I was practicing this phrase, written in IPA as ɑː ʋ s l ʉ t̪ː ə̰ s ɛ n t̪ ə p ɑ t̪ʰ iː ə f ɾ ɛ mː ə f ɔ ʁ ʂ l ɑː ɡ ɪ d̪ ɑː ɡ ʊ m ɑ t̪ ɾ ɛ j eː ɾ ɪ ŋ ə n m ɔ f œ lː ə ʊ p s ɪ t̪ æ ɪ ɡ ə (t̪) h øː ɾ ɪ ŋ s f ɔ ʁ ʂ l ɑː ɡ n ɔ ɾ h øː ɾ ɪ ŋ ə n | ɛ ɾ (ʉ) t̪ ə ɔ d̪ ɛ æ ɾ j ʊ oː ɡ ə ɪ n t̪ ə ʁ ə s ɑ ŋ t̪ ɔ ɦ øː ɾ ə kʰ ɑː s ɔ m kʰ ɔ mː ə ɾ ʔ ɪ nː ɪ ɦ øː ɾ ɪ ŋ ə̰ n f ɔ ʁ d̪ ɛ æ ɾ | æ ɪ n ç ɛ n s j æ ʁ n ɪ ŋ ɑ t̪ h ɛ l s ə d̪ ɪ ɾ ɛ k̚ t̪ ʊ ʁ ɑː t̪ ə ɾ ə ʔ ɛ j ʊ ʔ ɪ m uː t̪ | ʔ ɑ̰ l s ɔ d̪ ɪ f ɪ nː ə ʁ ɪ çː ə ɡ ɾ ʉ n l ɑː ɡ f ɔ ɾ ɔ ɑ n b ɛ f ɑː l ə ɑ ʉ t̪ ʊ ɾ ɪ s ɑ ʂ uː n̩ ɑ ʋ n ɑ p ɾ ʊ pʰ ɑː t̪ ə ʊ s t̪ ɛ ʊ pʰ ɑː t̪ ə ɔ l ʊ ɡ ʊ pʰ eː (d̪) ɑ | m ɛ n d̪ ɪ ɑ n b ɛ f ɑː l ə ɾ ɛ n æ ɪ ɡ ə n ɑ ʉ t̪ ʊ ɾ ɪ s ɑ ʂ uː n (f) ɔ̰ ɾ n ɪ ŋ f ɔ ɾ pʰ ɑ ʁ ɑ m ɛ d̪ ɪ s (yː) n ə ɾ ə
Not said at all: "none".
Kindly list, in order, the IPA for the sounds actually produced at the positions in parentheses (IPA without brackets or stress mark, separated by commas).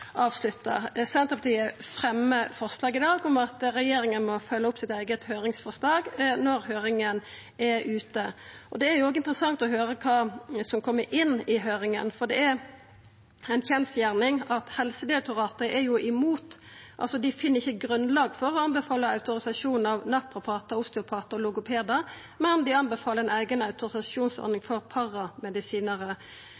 t̪, ʉː, d̪, s, iː